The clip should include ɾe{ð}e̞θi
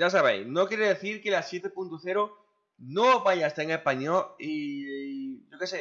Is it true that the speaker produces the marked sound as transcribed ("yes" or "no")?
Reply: yes